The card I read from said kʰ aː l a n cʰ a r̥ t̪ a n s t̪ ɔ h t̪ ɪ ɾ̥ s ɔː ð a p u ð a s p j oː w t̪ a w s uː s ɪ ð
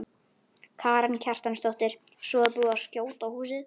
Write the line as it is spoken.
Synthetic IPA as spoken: kʰ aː ɾ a n cʰ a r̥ t̪ a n s t̪ ɔ h t̪ ɪ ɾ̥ s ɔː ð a p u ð a s c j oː w t̪ a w h uː s ɪ ð